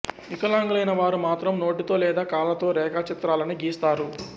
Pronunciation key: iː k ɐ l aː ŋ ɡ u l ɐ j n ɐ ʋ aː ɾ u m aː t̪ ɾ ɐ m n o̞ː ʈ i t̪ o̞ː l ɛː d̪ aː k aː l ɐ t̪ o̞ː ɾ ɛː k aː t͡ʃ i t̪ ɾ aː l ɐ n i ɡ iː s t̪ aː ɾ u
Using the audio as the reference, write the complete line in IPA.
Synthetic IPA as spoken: i k ɐ l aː ŋ ɡ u l ɐ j n ɐ ʋ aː ɾ u m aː t̪ ɾ ɐ m n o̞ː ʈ i t̪ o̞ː l ɛː d̪ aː k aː l ɐ t̪ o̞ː ɾ ɛː k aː t͡ʃ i t̪ ɾ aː l ɐ n i ɡ iː s t̪ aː ɾ u